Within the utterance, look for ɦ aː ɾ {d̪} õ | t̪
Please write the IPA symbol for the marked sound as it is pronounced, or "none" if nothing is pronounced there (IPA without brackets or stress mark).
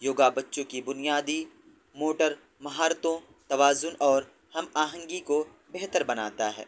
t̪